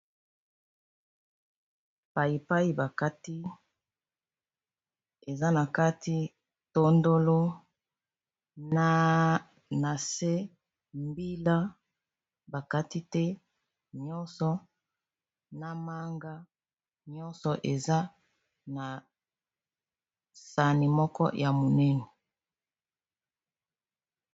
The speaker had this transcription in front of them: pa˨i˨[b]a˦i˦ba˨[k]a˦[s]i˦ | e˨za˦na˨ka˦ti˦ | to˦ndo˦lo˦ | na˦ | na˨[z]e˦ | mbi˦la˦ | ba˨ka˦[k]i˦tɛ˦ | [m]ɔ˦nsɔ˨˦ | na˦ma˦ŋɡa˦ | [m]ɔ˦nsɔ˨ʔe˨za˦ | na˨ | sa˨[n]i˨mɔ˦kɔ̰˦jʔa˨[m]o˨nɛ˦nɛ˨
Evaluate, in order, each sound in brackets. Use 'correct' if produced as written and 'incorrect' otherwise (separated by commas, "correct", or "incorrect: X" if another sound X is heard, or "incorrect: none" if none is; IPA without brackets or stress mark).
incorrect: p, correct, incorrect: t, incorrect: s, incorrect: t, incorrect: ɲ, incorrect: ɲ, correct, correct